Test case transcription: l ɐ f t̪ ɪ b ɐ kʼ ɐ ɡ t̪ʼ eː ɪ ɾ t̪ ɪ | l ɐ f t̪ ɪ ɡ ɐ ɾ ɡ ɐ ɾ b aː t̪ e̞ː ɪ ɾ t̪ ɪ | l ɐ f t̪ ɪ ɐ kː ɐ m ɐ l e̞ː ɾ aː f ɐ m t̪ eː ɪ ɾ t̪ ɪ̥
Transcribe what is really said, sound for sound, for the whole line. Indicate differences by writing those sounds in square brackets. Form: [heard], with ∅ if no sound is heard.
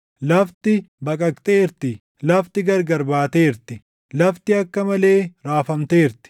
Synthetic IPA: l ɐ f t̪ ɪ b ɐ kʼ ɐ [k] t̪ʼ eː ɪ ɾ t̪ ɪ | l ɐ f t̪ ɪ ɡ ɐ ɾ ɡ ɐ ɾ b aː t̪ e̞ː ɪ ɾ t̪ ɪ | l ɐ f t̪ ɪ ɐ kː ɐ m ɐ l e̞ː ɾ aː f ɐ m t̪ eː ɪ ɾ t̪ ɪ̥